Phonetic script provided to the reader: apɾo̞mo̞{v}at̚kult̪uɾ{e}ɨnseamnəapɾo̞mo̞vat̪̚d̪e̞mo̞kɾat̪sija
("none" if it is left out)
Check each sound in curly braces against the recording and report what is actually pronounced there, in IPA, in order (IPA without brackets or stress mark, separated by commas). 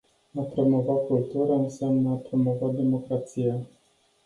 v, a